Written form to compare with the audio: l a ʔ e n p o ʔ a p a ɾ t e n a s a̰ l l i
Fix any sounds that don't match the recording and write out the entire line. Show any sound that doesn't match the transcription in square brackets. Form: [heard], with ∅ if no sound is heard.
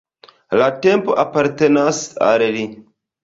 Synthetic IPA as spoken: l a [t] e [m] p o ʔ a p a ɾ t e n a s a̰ l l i

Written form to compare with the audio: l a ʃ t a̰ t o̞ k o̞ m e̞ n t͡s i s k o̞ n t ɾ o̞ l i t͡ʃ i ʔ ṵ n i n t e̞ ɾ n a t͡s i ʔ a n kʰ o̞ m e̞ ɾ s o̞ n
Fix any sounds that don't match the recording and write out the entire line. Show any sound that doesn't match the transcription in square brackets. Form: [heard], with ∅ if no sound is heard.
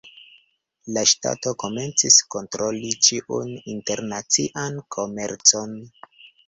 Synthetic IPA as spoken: l a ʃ t a̰ t o̞ k o̞ m e̞ n t͡s i s k o̞ n t ɾ o̞ l i t͡ʃ i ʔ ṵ n i n t e̞ ɾ n a t͡s i ʔ a n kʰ o̞ m e̞ ɾ [t͡s] o̞ n

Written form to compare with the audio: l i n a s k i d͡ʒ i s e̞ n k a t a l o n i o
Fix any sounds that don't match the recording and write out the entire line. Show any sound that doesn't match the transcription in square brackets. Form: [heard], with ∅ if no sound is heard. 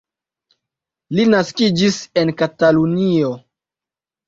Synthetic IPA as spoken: l i n a s k i d͡ʒ i s e̞ n k a t a l [u] n i o

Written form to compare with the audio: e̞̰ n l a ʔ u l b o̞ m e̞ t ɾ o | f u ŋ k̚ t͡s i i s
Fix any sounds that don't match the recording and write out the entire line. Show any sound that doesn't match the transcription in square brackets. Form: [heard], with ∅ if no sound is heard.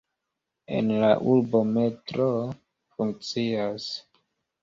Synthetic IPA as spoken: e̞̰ n l a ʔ u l b o̞ m e̞ t ɾ o | f u ŋ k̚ t͡s i [a] s

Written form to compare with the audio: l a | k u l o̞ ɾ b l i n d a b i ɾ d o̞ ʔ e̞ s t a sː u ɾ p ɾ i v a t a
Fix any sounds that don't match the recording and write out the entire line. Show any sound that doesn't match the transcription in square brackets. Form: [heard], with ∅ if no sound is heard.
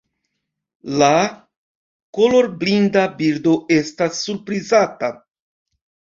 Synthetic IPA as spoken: l a | k [o] l o̞ ɾ b l i n d a b i ɾ d o̞ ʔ e̞ s t a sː u ɾ p ɾ i [z] a t a

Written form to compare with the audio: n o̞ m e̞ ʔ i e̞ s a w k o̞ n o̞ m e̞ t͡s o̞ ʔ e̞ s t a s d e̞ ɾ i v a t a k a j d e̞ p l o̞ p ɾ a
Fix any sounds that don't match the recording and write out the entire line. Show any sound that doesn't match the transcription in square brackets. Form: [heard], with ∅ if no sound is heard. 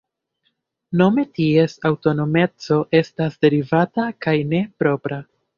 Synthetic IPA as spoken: n o̞ m e̞ [t] i e̞ s a w [t] o̞ n o̞ m e̞ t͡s o̞ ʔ e̞ s t a s d e̞ ɾ i v a t a k a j [n] e̞ p [ɾ] o̞ p ɾ a

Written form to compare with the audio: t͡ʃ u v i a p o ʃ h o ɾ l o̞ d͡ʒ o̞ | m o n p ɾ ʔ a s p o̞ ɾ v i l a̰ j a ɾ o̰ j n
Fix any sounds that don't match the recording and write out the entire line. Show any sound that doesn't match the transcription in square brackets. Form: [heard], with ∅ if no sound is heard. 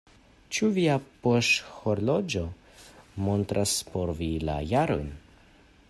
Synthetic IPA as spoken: t͡ʃ u v i a p o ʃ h o ɾ l o̞ d͡ʒ o̞ | m o n [t] ɾ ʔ a s p o̞ ɾ v i l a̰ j a ɾ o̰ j n

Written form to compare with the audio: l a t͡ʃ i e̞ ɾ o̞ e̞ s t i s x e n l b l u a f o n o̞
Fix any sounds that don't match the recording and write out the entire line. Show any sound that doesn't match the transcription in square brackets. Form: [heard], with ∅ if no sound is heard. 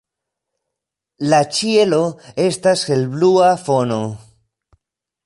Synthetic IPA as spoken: l a t͡ʃ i e̞ [l] o̞ e̞ s t [a] s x e [∅] l b l u a f o n o̞

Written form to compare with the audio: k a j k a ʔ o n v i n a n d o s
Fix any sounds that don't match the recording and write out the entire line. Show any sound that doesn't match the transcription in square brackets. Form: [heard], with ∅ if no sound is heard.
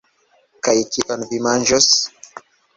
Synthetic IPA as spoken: k a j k [i] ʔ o n v i [m] a n [d͡ʒ] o s

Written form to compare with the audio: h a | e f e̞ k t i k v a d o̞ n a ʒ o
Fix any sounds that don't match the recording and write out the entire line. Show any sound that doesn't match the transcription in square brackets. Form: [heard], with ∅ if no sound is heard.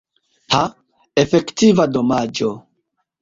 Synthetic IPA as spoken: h a | e f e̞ k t i [∅] v a d o̞ [m] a [d͡ʒ] o

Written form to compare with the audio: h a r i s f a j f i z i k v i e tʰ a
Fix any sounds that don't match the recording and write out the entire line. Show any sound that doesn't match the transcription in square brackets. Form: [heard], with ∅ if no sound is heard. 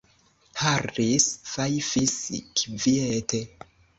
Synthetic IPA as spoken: h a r i s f a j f i [s] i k v i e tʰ [e]

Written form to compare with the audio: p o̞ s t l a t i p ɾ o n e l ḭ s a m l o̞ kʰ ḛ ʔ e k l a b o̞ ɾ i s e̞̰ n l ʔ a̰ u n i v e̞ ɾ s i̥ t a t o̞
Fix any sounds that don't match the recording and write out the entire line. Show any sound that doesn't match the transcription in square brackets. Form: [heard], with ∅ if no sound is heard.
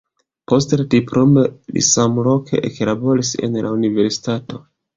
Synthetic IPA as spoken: p o̞ s t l a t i p ɾ o [m] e l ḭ s a m l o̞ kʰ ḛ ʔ e k l a b o̞ ɾ i s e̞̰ n l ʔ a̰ u n i v e̞ ɾ s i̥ t a t o̞

